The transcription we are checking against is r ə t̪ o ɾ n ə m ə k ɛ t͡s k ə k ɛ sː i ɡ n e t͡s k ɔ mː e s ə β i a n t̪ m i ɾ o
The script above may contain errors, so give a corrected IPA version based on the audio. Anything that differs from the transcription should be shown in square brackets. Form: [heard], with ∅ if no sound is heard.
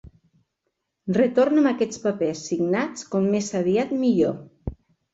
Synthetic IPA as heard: r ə t̪ o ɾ n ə m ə k ɛ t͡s [p] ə [p] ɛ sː i ɡ n [a] t͡s k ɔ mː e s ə β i a [∅] t̪ m i [ʎ] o